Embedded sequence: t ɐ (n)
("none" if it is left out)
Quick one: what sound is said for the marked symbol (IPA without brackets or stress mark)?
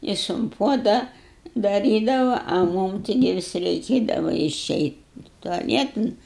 n